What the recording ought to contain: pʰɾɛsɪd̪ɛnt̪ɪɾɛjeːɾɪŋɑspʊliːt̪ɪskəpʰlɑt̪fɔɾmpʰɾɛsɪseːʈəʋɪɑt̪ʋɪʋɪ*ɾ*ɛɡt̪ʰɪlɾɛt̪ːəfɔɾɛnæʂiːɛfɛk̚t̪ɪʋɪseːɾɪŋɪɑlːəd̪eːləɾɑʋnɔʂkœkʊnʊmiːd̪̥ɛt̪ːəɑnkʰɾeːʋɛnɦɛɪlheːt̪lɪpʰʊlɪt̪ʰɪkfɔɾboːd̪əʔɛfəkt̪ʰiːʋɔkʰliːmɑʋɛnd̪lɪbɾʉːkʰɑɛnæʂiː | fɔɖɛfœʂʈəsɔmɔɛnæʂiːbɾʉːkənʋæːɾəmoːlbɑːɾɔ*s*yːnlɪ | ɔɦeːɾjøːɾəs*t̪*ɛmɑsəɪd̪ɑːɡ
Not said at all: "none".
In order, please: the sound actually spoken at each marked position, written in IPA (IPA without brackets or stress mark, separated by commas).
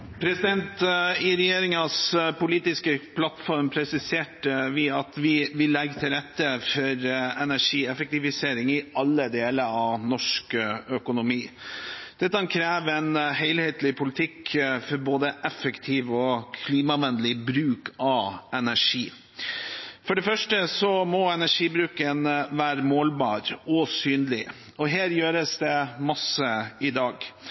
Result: l, s, d̪